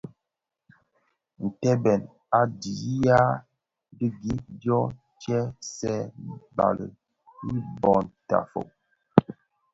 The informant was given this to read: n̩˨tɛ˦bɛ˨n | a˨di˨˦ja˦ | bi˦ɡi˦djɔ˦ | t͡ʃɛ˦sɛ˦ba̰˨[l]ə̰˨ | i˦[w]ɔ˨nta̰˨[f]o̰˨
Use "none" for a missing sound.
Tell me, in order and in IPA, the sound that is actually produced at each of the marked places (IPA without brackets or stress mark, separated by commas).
l, b, f